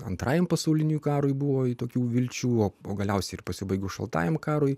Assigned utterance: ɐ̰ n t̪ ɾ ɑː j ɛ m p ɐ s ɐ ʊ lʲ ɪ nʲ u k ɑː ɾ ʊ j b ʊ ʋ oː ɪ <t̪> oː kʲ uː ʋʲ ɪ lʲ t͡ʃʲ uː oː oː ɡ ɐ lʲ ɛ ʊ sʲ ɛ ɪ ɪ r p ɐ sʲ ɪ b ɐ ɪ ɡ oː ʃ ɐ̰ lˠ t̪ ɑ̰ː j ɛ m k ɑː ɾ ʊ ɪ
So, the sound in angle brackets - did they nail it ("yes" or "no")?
yes